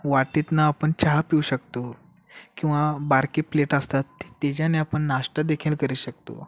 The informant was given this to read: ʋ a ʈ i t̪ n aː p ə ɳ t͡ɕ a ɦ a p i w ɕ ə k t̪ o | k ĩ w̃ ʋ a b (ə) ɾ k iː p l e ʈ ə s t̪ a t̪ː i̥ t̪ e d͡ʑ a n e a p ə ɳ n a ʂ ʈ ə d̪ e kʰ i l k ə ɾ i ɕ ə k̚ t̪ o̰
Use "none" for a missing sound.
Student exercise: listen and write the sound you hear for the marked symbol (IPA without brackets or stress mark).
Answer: a